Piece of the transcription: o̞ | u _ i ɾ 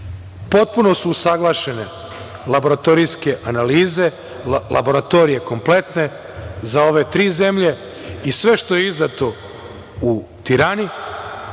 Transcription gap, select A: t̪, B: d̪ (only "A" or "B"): A